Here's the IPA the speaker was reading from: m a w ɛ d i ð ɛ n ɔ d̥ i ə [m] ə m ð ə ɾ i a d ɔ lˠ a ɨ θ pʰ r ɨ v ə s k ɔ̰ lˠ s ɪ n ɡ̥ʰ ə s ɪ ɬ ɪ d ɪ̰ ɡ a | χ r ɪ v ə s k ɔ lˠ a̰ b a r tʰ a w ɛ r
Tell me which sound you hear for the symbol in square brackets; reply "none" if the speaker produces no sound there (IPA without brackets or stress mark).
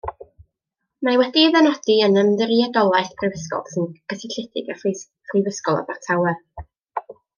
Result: n